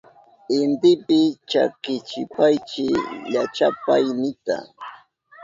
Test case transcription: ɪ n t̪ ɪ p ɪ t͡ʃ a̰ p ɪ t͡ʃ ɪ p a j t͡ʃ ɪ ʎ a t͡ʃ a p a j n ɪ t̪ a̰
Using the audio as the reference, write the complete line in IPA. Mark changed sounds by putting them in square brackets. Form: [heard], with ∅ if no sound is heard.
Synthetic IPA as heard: ɪ n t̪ ɪ p ɪ t͡ʃ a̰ [k] ɪ t͡ʃ ɪ p a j t͡ʃ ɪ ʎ a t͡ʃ a p a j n ɪ t̪ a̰